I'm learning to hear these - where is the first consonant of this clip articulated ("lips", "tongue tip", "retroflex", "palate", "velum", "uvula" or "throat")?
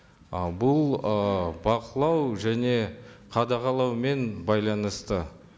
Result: lips